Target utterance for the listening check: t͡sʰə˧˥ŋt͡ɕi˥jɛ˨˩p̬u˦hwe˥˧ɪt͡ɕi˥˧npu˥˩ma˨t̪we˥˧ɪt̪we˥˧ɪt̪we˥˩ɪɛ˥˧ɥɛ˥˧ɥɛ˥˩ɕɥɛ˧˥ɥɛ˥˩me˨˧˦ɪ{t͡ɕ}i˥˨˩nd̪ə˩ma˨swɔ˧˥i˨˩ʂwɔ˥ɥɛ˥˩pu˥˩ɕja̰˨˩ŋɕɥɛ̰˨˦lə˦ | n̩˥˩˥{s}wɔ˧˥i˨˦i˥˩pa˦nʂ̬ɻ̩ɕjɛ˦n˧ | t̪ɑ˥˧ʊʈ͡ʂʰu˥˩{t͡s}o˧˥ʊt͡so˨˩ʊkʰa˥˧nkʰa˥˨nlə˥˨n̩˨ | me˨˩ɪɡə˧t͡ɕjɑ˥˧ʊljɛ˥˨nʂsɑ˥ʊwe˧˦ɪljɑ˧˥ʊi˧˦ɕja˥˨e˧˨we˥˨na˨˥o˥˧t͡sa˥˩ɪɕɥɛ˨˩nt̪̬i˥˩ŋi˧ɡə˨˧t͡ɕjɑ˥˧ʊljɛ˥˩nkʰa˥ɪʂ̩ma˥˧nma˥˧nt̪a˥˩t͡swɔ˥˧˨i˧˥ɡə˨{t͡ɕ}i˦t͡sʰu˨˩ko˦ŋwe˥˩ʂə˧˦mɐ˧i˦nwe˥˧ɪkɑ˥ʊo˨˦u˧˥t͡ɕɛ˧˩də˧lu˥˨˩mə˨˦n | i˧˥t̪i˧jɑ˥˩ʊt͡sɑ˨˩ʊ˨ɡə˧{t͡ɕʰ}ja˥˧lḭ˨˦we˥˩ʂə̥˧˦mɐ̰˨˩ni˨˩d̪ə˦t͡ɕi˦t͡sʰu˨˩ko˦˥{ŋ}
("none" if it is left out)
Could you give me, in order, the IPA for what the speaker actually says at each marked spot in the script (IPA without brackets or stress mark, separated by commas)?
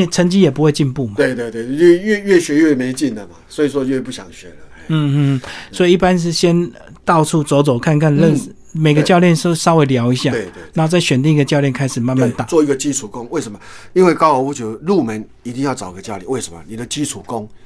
t͡ɕ, s, t͡s, t͡ɕ, t͡ɕ, ŋ